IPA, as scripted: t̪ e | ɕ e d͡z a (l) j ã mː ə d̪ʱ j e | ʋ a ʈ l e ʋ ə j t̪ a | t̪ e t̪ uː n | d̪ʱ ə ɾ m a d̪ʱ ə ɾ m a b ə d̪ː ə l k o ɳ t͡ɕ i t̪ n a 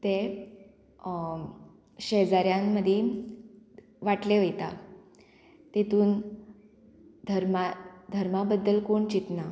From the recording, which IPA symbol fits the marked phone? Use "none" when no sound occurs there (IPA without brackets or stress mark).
ɾ